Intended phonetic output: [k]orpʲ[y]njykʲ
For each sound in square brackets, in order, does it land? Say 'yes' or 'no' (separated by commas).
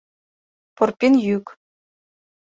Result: no, no